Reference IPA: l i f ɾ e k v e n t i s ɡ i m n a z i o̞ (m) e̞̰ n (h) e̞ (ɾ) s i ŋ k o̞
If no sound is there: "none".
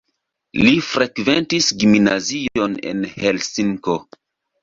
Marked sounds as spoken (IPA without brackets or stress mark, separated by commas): n, h, l